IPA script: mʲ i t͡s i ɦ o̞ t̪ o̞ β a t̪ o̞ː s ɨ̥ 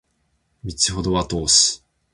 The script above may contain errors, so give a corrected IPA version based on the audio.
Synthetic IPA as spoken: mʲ i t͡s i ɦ o̞ d̪ o̞ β a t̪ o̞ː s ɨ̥